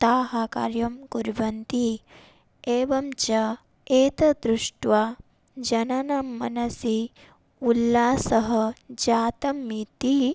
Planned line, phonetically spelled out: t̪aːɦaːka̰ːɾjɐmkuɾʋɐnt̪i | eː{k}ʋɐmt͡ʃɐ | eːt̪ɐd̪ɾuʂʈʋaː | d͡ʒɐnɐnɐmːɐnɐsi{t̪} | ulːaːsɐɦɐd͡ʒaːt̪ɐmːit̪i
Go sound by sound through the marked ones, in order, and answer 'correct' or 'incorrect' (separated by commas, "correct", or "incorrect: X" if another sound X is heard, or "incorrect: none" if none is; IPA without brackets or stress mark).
incorrect: none, incorrect: none